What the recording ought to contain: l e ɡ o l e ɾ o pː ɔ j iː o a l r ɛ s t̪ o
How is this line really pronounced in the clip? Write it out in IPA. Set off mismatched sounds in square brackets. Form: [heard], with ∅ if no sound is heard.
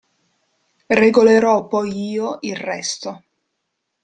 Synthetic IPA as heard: [r] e ɡ o l e ɾ [ɔ] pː ɔ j iː o [i] l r ɛ s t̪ o